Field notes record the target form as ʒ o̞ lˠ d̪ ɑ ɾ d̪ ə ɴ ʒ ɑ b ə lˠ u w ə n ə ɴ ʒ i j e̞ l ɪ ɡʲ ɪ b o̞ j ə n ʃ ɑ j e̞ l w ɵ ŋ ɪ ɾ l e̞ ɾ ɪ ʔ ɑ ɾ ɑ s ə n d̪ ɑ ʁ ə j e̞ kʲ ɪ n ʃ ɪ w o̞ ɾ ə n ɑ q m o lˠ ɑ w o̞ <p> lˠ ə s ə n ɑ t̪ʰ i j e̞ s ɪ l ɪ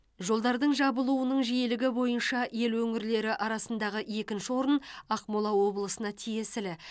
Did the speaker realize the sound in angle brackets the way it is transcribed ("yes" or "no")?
no